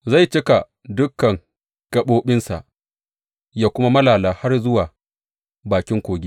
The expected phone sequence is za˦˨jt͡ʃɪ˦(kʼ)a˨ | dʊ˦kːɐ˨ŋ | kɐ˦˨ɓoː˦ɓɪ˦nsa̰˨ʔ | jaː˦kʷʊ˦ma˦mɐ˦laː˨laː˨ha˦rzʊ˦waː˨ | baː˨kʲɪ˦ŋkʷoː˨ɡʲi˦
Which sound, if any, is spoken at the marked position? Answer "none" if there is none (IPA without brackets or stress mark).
k